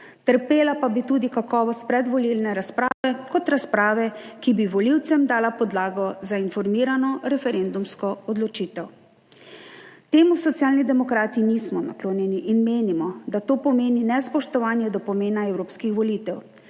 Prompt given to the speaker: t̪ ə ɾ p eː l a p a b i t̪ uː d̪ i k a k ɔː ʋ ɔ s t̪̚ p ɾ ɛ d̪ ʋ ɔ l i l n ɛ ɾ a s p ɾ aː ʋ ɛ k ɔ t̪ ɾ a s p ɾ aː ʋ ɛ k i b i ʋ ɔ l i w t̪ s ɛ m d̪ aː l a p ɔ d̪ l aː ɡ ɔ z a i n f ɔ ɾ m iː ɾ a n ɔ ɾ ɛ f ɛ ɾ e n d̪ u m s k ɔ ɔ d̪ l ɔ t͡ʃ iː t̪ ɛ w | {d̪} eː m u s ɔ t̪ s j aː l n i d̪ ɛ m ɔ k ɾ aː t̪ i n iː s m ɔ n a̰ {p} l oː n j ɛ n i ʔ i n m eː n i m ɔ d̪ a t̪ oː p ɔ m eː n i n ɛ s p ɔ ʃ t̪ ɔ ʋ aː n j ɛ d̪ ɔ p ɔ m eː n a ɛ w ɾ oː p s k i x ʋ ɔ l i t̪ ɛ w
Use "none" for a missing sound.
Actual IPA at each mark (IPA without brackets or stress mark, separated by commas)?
t̪, k